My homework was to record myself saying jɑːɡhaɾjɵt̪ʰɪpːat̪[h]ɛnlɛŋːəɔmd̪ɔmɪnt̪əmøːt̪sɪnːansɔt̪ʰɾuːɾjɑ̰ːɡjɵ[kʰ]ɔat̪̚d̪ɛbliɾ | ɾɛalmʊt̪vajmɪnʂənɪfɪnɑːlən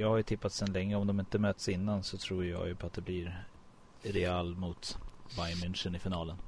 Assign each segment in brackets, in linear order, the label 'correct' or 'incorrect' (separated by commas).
incorrect, incorrect